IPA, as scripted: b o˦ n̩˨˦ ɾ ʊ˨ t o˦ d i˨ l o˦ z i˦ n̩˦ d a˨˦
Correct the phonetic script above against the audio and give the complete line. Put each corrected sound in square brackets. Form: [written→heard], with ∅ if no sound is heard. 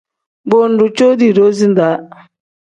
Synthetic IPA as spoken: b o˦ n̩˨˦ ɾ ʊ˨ [t→t͡ʃ] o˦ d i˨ [l→ɾ] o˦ z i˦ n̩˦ d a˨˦